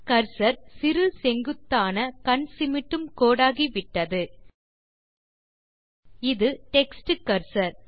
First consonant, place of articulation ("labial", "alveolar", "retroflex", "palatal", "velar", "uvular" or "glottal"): velar